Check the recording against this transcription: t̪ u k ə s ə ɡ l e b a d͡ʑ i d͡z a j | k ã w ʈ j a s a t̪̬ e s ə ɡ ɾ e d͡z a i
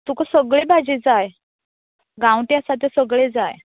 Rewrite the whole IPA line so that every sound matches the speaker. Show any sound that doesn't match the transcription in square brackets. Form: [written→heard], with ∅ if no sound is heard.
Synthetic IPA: t̪ u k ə s ə ɡ [l→ɭ] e b a d͡ʑ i d͡z a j | [k→ɡ] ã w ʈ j a s a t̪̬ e s ə ɡ [ɾ→ɭ] e d͡z a [i→j]